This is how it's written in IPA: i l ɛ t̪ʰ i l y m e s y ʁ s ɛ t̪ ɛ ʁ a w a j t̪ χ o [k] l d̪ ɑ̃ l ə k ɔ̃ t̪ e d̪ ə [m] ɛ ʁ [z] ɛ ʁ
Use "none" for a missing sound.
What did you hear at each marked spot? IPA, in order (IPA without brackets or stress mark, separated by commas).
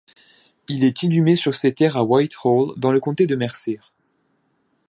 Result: none, m, s